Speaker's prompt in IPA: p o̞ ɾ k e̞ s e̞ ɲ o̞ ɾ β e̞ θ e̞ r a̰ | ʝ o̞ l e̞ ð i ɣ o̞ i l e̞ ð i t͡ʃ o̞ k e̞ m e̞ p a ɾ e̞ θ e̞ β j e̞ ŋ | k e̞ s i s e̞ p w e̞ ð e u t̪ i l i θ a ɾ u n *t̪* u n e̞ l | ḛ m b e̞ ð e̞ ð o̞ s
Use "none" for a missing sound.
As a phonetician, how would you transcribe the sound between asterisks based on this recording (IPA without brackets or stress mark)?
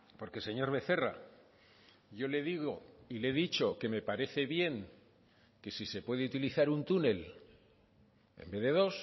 t̪